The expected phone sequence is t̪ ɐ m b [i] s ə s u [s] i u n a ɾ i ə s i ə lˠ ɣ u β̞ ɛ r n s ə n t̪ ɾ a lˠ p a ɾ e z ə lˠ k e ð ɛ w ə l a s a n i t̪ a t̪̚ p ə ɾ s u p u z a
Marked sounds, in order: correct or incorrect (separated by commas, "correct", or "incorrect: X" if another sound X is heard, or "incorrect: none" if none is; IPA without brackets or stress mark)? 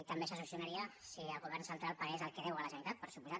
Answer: incorrect: e, correct